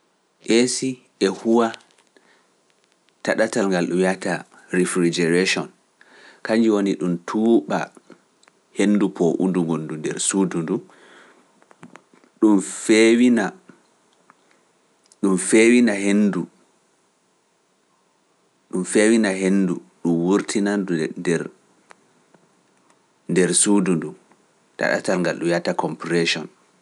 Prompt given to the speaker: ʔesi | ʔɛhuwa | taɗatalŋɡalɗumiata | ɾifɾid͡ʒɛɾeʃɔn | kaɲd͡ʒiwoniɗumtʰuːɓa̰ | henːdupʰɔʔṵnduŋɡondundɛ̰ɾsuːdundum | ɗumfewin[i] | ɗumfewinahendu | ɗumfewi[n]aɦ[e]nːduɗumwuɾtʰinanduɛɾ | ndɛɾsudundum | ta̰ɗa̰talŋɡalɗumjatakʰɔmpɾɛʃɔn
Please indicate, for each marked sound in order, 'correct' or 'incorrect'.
incorrect, correct, correct

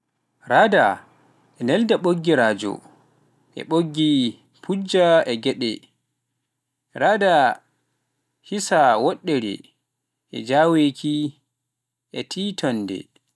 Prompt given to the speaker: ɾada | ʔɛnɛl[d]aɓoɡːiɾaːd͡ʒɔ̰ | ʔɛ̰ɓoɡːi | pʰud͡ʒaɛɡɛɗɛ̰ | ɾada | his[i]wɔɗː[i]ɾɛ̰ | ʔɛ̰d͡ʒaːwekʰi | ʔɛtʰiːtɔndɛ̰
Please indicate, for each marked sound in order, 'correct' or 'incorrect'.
correct, incorrect, incorrect

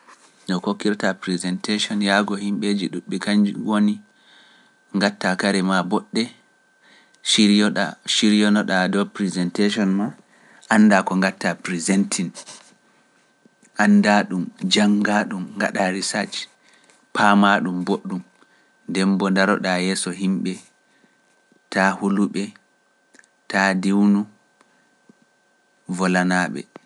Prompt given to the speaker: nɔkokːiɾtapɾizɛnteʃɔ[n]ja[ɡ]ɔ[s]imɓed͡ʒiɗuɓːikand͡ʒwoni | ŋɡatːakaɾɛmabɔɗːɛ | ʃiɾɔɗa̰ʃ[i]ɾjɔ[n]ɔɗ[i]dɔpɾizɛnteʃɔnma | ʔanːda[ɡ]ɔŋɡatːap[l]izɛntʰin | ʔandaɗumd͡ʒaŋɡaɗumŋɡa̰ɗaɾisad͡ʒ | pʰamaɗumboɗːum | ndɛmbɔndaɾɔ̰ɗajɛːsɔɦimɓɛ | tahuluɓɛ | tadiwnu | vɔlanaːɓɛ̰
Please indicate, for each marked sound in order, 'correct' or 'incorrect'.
correct, correct, incorrect, correct, correct, incorrect, incorrect, incorrect

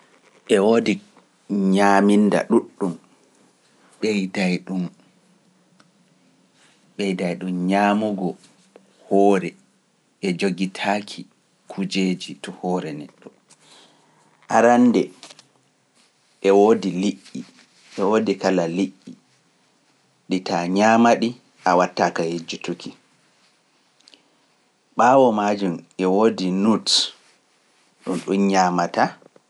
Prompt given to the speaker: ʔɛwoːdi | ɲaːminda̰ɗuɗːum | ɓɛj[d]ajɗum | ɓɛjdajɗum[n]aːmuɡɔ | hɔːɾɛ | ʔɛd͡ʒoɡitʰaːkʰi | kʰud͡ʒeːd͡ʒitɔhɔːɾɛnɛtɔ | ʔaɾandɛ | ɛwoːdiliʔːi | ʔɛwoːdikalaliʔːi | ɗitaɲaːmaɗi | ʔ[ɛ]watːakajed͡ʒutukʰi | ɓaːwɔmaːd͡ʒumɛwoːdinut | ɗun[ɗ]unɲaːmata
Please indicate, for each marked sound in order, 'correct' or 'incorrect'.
correct, incorrect, incorrect, correct

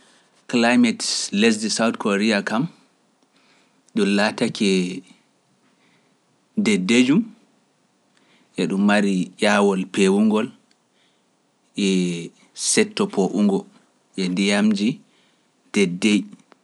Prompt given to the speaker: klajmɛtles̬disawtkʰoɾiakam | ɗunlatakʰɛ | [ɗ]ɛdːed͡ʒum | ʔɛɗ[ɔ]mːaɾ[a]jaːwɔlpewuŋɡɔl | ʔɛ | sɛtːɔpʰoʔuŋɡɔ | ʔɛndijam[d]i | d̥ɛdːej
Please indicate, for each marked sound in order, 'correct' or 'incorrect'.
incorrect, incorrect, incorrect, incorrect

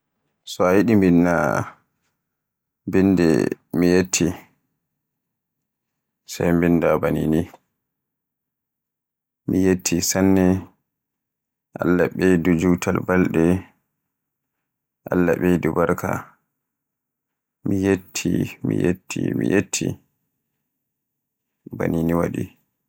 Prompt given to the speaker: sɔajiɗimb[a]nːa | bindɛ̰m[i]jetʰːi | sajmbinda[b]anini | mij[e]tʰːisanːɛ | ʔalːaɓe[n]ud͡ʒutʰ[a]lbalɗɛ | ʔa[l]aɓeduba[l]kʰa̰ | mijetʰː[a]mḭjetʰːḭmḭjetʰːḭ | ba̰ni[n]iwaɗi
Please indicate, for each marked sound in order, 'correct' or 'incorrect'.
incorrect, correct, correct, correct, incorrect, correct, incorrect, incorrect, incorrect, correct

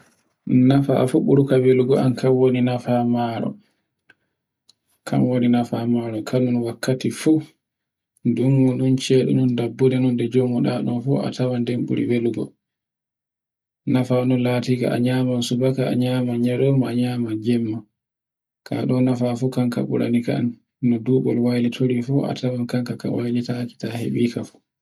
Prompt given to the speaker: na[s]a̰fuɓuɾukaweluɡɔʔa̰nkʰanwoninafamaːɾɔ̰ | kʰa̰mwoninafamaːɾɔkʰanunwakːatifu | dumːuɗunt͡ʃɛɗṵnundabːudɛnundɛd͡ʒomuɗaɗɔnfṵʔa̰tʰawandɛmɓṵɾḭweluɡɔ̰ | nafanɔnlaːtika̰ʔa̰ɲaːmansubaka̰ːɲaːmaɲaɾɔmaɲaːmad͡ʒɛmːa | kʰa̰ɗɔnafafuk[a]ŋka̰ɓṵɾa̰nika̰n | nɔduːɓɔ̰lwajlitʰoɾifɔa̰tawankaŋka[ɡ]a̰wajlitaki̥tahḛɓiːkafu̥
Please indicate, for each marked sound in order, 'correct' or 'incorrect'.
incorrect, correct, incorrect

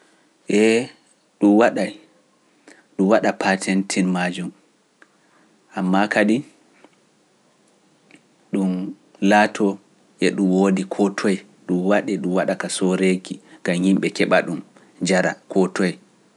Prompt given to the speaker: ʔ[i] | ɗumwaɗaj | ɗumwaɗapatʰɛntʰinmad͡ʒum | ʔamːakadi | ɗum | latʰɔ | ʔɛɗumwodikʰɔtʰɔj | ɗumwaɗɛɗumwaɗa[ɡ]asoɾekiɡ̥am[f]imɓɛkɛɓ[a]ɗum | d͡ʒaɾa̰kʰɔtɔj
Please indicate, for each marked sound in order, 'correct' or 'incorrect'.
incorrect, incorrect, incorrect, correct

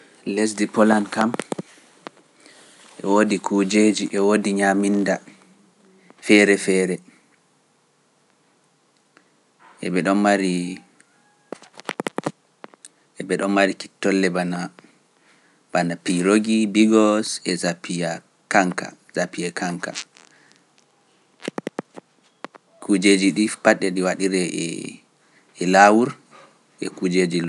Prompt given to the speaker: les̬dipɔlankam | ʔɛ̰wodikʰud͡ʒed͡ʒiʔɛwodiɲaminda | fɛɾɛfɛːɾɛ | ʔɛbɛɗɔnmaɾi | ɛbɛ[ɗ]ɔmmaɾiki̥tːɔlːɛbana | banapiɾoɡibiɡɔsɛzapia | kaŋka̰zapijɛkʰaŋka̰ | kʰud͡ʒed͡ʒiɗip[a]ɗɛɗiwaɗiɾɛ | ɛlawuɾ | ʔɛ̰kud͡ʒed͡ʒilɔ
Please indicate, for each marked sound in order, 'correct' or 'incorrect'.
correct, correct

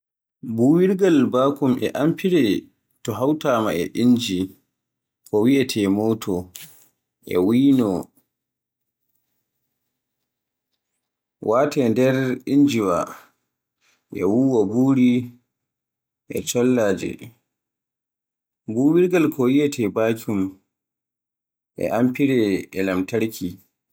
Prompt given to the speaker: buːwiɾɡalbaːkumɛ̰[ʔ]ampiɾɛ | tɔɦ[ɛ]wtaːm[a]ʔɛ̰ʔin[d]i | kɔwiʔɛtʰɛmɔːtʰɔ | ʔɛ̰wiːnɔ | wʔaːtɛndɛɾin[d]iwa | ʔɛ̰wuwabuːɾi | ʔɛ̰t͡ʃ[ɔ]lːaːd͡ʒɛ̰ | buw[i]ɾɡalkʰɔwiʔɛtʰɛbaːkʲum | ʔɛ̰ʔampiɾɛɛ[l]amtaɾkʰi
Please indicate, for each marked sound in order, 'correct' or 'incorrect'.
correct, incorrect, correct, incorrect, incorrect, correct, correct, correct

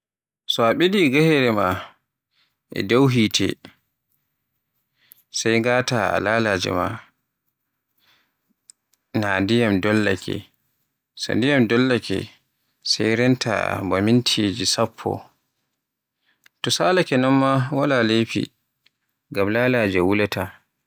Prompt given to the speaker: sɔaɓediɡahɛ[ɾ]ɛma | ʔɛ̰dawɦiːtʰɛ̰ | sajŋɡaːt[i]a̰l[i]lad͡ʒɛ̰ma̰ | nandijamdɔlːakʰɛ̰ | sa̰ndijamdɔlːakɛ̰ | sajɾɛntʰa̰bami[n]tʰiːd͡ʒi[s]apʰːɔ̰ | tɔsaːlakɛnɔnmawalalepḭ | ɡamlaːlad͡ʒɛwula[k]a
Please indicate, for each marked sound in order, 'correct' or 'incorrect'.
correct, incorrect, incorrect, correct, correct, incorrect

